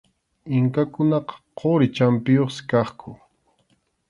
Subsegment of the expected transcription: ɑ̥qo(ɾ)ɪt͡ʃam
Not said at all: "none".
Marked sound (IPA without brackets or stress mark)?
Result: ɾ